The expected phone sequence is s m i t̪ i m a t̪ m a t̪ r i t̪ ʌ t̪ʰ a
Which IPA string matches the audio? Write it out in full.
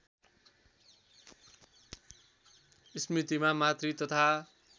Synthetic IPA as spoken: s m i t̪ i m a m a t̪ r i t̪ ʌ t̪ʰ a